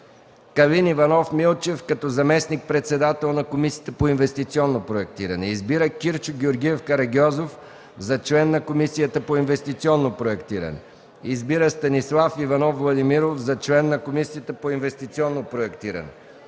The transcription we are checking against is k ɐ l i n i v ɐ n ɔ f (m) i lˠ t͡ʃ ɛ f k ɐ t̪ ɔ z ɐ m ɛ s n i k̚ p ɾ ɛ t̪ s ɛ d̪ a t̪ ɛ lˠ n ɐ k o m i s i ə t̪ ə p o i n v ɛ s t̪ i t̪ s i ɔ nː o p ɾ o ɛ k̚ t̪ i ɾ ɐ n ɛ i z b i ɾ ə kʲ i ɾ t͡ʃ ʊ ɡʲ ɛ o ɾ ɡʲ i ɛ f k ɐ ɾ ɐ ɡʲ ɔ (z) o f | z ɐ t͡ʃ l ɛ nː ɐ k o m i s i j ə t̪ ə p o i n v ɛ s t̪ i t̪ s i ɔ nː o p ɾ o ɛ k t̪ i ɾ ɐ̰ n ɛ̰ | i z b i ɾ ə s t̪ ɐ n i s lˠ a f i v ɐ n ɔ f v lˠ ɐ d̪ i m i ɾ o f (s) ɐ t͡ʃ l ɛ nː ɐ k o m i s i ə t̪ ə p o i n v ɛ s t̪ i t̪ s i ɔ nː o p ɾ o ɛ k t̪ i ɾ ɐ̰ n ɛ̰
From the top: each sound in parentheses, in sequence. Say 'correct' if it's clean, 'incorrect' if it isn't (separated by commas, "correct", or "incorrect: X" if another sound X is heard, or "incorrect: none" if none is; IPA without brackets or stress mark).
correct, correct, incorrect: z